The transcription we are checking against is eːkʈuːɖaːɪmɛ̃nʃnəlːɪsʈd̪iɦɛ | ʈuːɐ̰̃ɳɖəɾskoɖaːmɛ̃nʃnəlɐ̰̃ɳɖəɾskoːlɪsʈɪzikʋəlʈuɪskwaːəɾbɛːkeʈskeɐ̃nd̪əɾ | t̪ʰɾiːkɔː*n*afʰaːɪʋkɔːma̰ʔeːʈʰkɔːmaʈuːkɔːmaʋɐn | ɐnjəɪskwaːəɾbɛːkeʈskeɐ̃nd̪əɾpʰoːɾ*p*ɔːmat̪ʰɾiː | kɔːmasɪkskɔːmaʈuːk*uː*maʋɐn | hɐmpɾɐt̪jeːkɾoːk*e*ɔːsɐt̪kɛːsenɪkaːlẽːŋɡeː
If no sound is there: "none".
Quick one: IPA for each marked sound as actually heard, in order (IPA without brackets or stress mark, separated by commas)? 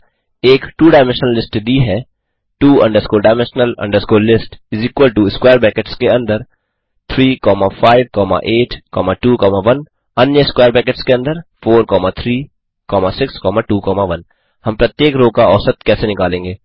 m, k, ɔː, a